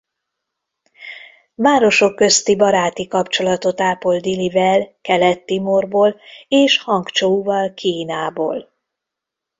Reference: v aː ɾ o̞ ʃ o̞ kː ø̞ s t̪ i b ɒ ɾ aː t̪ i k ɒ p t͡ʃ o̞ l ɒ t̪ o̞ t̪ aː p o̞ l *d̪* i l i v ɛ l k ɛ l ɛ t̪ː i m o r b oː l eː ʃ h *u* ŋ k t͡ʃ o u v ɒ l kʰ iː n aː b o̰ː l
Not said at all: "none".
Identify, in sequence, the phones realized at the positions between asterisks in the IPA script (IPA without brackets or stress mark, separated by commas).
d̪, ɒ